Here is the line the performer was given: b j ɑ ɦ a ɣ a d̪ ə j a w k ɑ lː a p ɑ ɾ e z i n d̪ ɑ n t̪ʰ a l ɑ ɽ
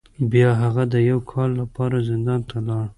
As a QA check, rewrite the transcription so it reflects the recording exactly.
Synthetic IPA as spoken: b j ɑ ɦ a ɣ a d̪ ə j a w kʰ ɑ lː a p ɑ ɾ a z ɪ n d̪ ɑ n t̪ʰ a l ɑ ɽ